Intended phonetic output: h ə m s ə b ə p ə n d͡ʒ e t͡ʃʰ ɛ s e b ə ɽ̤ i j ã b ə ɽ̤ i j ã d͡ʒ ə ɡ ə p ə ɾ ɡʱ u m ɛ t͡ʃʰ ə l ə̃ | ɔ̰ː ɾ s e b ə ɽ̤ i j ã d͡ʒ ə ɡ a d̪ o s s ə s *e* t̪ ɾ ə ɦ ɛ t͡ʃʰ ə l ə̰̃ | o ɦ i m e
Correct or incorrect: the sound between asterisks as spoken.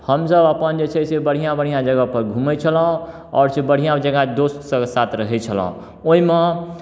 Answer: incorrect: a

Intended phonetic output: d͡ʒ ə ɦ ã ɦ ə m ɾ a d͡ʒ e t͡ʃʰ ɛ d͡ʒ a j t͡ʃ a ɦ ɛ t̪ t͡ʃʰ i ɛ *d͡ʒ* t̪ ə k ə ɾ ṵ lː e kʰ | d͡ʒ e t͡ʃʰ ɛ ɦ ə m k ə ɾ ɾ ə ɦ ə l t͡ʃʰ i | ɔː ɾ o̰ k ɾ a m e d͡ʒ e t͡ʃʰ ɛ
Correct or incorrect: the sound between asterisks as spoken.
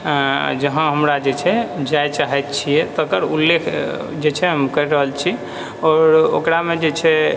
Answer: incorrect: none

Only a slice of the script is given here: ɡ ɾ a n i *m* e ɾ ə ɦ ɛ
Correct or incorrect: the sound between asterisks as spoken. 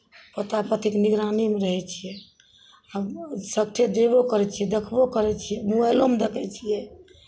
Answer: correct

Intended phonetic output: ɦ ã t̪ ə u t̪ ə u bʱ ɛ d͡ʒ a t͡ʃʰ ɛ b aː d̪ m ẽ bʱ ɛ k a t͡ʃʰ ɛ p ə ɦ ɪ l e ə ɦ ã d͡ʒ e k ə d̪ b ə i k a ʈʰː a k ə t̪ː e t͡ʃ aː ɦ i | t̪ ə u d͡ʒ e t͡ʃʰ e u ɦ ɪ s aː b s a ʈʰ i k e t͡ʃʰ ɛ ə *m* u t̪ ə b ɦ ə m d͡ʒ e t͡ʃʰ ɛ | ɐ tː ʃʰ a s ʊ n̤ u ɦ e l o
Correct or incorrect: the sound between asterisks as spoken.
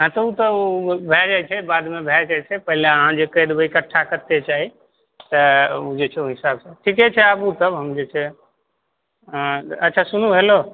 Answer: incorrect: b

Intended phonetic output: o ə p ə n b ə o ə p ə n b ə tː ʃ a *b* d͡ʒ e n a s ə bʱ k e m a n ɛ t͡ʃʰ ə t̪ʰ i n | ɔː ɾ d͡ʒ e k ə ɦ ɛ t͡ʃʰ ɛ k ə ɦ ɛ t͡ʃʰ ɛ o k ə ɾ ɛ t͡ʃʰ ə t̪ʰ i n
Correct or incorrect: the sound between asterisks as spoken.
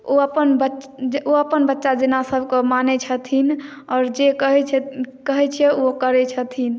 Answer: incorrect: none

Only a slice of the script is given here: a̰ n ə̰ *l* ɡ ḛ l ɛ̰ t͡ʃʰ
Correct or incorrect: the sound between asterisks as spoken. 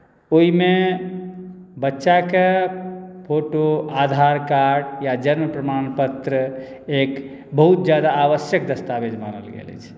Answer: correct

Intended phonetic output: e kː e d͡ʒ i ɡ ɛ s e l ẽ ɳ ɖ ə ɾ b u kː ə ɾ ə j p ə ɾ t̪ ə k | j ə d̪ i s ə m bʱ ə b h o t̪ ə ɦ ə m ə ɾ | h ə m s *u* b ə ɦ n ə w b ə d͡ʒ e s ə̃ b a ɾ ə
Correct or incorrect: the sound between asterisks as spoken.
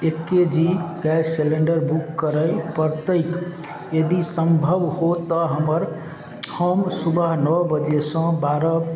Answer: correct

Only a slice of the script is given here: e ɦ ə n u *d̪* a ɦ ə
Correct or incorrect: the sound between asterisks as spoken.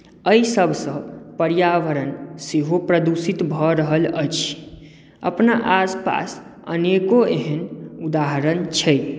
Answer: correct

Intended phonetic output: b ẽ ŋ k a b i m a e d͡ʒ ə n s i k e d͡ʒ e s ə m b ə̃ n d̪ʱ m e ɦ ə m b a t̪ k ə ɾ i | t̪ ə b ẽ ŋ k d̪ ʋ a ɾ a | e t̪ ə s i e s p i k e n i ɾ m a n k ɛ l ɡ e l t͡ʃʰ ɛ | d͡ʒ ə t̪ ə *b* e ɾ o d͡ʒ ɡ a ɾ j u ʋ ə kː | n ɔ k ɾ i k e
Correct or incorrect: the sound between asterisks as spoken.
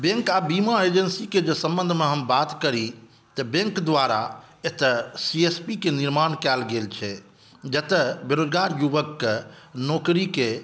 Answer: correct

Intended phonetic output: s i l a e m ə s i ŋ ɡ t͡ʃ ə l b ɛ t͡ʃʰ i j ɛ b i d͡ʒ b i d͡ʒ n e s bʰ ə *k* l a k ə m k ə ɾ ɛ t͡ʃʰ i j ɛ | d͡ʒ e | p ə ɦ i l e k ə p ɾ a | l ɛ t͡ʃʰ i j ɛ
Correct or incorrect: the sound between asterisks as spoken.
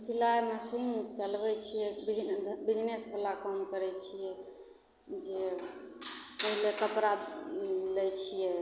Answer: incorrect: none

